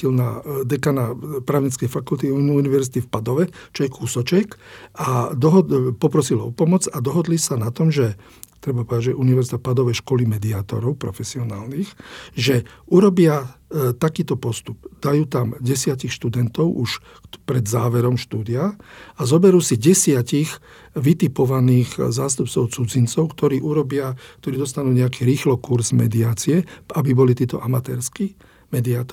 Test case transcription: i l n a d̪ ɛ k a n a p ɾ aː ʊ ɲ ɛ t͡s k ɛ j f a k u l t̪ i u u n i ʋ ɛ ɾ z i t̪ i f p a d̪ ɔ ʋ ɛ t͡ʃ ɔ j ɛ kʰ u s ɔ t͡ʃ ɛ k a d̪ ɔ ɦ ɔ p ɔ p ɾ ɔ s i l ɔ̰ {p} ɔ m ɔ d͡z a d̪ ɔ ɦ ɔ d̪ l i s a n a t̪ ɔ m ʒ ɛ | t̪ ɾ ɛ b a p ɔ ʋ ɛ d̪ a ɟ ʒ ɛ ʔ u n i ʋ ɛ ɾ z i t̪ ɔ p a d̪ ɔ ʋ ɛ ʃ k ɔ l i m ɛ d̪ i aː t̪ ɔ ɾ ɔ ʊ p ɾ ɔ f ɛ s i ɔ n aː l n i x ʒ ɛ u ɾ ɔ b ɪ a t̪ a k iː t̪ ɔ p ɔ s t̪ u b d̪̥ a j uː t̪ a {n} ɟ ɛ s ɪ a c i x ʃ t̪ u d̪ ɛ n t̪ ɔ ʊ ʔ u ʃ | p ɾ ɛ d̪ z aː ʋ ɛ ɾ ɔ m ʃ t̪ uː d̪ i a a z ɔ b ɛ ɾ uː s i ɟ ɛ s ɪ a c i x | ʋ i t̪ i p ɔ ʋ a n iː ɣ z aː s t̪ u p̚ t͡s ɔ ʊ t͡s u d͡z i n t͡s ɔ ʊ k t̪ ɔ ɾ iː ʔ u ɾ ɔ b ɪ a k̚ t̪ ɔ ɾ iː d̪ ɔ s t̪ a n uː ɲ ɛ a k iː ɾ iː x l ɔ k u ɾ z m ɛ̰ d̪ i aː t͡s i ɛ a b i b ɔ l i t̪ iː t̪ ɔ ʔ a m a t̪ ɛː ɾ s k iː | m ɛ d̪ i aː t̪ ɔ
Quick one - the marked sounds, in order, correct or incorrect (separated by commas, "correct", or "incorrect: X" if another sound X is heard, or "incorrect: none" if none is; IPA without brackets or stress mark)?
correct, incorrect: m